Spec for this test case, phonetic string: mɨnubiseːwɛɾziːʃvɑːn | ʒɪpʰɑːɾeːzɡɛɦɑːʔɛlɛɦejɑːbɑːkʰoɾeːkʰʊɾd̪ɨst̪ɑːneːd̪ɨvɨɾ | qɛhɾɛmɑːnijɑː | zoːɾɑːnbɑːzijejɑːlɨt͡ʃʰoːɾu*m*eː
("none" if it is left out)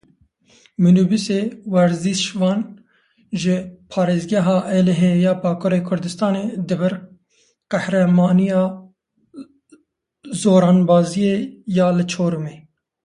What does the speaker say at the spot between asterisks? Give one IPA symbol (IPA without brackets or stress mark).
m